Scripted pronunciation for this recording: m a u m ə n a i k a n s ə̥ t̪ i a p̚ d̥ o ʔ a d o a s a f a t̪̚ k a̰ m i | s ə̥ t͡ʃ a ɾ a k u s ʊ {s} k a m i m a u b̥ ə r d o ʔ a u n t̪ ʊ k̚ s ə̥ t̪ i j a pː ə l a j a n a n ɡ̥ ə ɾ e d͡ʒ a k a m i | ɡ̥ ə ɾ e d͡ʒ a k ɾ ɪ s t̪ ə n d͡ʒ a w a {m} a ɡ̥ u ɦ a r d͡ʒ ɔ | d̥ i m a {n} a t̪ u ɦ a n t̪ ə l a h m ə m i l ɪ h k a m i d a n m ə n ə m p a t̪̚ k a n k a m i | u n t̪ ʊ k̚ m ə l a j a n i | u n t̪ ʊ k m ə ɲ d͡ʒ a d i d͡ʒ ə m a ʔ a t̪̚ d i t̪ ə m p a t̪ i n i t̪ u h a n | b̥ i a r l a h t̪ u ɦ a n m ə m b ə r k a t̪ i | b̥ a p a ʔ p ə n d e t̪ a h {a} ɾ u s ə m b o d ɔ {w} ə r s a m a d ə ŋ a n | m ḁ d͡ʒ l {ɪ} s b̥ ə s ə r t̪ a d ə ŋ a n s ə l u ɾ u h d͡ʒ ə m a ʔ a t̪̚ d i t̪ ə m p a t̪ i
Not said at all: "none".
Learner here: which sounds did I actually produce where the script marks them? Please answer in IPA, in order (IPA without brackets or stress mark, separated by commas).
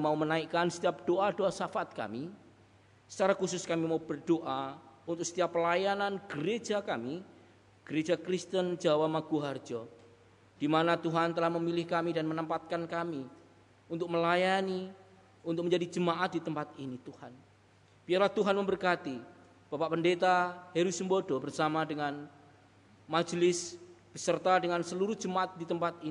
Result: s, m, n, e, b, ɪ